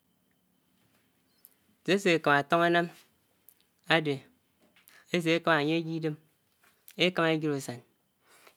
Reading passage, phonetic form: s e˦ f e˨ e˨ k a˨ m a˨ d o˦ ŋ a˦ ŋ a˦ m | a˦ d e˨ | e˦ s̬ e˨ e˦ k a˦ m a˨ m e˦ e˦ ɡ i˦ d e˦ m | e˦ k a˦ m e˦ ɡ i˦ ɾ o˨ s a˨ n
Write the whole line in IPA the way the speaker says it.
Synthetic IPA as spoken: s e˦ s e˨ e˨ k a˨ m a˨ t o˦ ŋ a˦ n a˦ m | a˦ d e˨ | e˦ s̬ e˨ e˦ k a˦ m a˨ ɲ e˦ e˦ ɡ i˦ d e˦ m | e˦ k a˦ m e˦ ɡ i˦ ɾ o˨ s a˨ n